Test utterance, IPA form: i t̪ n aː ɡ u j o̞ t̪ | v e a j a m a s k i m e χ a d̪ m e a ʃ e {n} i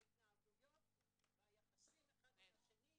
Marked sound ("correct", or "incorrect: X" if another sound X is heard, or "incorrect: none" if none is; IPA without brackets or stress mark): correct